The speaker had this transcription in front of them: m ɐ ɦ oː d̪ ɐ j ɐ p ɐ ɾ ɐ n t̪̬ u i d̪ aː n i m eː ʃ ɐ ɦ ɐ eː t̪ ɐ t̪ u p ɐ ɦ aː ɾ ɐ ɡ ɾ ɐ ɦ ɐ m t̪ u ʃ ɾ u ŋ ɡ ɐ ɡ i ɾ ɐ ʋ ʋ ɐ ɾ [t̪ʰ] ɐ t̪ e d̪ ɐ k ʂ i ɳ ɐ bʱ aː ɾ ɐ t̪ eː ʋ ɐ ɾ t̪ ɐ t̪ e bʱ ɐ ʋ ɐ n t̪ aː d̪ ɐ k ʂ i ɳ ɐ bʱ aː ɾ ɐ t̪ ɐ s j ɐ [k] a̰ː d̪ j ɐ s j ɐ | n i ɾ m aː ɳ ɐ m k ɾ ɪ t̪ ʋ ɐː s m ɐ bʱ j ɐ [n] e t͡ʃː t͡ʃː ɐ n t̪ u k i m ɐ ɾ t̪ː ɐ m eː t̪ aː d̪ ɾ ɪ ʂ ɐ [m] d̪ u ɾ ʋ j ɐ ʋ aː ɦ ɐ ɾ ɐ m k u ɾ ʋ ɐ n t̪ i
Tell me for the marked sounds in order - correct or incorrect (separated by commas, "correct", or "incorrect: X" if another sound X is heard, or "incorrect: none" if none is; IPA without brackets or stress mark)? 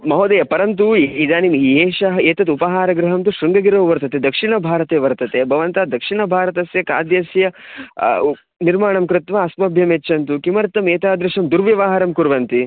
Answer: incorrect: t̪, correct, incorrect: m, correct